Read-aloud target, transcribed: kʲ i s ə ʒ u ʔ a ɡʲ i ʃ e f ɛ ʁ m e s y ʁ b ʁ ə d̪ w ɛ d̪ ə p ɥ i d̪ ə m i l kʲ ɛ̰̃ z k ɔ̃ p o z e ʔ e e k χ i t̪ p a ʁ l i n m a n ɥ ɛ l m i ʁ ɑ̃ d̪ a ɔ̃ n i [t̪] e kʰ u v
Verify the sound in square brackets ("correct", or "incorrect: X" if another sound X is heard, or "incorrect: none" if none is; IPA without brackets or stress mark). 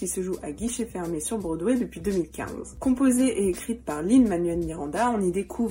incorrect: d̪